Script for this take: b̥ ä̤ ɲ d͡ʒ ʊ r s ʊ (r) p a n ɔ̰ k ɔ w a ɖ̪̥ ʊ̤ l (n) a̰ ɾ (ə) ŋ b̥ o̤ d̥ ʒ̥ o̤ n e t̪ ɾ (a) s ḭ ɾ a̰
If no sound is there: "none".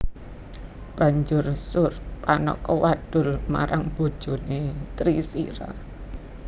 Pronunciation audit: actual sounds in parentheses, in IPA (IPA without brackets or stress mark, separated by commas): r, m, a, i